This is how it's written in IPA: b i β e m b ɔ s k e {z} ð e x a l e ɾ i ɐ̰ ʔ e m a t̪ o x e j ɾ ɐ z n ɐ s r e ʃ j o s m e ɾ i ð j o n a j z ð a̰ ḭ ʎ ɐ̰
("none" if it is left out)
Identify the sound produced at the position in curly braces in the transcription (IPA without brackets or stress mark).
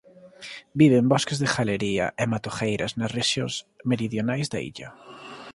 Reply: z